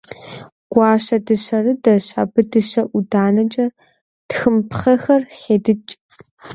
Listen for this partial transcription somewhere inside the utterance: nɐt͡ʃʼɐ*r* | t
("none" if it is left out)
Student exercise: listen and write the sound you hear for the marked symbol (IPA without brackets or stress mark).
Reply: none